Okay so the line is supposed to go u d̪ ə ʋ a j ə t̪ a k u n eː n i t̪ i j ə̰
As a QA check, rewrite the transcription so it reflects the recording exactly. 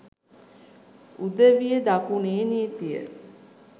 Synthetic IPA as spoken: u d̪ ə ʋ i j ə d̪ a k u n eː n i t̪ i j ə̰

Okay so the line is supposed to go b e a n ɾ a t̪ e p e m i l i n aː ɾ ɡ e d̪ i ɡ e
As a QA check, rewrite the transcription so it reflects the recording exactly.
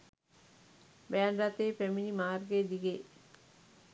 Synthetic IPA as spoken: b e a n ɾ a t̪ e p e m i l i m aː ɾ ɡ e d̪ i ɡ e

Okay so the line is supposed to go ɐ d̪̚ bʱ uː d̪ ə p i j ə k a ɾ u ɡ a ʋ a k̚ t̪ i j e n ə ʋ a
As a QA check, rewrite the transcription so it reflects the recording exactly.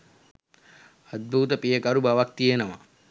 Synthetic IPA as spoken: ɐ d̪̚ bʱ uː t̪ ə p i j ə k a ɾ u b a ʋ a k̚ t̪ i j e n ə ʋ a

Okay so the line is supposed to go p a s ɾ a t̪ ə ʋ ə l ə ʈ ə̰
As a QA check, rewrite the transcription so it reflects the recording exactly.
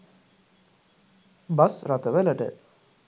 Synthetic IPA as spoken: b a s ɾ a t̪ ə ʋ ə l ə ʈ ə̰

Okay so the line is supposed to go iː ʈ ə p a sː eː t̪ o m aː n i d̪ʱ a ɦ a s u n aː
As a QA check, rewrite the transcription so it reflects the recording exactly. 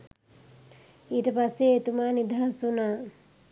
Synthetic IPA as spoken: iː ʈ ə p a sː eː t̪ u m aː n i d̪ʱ a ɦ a s u n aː

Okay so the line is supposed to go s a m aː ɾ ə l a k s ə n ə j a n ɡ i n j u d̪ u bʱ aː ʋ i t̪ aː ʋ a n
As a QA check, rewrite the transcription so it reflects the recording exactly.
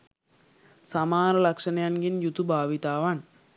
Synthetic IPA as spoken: s a m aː ɾ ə l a k ʂ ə n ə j a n ɡ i n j u t̪ u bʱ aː ʋ i t̪ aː ʋ a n

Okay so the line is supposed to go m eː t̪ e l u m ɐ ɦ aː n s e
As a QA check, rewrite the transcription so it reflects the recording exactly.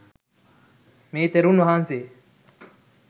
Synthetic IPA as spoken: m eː t̪ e ɾ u n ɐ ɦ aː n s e

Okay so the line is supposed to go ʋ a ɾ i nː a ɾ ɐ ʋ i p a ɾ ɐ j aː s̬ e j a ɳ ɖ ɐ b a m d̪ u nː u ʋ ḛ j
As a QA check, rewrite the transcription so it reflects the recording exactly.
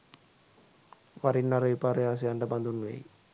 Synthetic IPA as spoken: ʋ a ɾ i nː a ɾ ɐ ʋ i p a ɾ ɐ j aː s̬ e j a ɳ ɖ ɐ b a n d̪ u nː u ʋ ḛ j

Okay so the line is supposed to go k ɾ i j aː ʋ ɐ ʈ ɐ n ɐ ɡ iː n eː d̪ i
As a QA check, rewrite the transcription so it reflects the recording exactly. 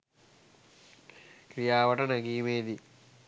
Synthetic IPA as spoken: k ɾ i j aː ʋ ɐ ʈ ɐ n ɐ ɡ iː m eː d̪ i

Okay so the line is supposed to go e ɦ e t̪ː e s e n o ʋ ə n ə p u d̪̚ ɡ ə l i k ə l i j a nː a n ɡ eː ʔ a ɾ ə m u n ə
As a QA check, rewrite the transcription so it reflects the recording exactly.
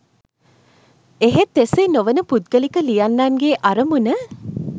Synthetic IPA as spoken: e ɦ e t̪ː e s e n o ʋ ə n ə p u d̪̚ ɡ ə l i k ə l i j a nː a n ɡ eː ʔ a ɾ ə m u n ə

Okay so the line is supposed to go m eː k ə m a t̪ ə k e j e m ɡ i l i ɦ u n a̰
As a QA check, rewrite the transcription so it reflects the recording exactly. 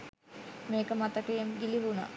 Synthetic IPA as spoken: m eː k ə m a t̪ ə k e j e m ɡ i l i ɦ u n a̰

